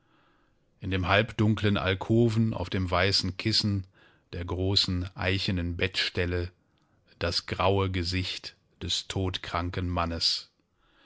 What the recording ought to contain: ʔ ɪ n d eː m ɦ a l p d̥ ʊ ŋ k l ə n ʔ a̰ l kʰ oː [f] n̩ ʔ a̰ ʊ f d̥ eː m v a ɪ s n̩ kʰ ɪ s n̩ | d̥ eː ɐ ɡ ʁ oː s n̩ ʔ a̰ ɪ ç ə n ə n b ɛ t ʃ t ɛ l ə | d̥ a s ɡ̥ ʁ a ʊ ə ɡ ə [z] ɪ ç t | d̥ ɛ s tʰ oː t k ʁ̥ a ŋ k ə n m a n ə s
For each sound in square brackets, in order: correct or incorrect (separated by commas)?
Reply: incorrect, correct